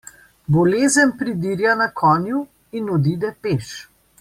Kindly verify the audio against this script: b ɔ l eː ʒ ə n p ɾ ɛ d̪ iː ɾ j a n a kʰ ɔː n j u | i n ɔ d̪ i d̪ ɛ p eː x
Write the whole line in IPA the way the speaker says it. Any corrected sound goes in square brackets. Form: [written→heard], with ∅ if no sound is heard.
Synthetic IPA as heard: b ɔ l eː [ʒ→z] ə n p ɾ [ɛ→i] d̪ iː ɾ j a n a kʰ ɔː n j u | i n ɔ d̪ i d̪ ɛ p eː [x→ʃ]